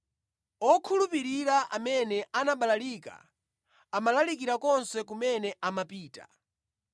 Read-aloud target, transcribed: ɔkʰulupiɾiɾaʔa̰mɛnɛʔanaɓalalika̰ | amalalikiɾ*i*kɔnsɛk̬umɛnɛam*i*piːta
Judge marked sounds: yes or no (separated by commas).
no, no